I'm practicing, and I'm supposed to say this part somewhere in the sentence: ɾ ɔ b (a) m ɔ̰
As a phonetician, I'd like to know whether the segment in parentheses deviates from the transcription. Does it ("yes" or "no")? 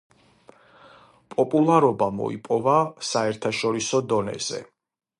no